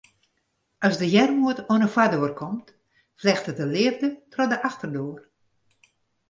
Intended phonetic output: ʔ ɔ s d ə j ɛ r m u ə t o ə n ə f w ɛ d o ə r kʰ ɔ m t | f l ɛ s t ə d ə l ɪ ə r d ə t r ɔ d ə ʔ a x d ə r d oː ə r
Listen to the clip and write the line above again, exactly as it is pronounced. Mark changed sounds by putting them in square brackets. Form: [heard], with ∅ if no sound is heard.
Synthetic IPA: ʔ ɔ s d ə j ɛ r m u ə t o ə n ə f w [a] d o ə r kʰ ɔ m t | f l ɛ [x] t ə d ə l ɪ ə r d ə t r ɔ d ə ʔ a x [t] ə r d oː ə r